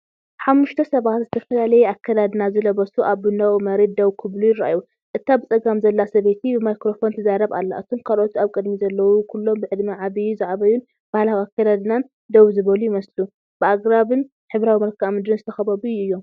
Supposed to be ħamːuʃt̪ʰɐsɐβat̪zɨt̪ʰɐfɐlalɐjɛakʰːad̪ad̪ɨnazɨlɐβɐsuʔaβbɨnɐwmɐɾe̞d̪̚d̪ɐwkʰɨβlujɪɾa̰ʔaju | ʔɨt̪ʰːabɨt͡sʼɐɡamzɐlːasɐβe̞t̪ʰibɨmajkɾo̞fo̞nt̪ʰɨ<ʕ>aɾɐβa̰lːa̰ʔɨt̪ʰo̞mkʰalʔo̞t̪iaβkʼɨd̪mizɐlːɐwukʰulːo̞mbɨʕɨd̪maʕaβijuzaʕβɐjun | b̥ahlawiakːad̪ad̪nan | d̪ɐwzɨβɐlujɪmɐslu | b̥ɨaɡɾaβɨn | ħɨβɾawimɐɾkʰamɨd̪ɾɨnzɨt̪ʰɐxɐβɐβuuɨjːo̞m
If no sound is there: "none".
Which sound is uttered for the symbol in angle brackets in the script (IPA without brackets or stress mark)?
z